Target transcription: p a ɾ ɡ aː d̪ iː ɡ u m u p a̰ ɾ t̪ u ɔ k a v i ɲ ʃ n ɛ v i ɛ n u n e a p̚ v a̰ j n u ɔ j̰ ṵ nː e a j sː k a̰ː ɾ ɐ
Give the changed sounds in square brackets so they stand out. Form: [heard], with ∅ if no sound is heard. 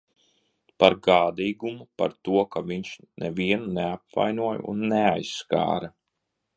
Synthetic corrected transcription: p a ɾ ɡ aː d̪ iː ɡ u m u p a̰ ɾ t̪ u ɔ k a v i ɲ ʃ n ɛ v i ɛ n u n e a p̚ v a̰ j n u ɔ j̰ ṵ nː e a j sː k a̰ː ɾ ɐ